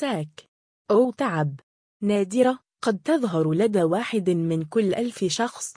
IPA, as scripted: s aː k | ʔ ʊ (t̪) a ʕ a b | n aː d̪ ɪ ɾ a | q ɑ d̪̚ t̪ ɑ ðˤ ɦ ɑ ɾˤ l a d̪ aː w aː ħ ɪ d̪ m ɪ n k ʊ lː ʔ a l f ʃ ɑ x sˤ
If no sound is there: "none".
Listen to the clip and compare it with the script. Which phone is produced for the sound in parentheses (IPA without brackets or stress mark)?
t̪